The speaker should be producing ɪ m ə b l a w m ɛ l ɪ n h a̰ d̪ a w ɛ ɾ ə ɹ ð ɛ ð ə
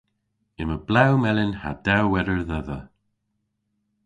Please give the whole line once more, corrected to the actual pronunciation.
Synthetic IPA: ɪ m ə b l a w m ɛ l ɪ n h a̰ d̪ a w ɛ ɾ ə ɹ ð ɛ ð ə

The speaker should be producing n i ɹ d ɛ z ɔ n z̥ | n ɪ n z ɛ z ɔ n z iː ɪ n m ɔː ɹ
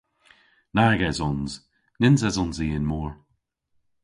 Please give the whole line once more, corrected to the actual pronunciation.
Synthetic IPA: n a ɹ ɡ ɛ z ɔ n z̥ | n ɪ n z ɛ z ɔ n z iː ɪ n m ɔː ɹ

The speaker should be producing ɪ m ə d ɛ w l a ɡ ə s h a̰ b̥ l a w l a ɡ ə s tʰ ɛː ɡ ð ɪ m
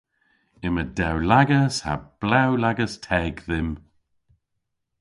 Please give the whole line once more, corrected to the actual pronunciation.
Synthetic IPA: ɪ m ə d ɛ w l a ɡ ə s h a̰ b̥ l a w l a ɡ ə s tʰ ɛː ɡ ð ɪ m

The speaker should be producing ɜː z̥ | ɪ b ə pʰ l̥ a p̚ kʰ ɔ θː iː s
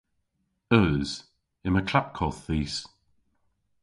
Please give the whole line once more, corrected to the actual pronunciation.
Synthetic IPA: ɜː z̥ | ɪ m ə kʰ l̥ a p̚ kʰ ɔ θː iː s

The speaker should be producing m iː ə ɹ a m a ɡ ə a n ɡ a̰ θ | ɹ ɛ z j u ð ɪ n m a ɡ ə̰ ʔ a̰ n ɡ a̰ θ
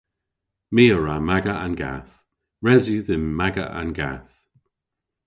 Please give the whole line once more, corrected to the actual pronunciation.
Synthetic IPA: m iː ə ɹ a m a ɡ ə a n ɡ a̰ θ | ɹ ɛ z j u ð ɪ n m a ɡ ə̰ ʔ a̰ n ɡ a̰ θ

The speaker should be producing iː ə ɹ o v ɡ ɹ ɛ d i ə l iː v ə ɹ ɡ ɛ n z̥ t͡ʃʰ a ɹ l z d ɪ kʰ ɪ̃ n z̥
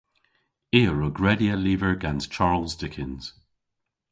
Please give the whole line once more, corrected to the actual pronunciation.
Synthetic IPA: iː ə ɹ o ɡ ɹ ɛ d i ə l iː v ə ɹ ɡ a n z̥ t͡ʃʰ a ɹ l z d ɪ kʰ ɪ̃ n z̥

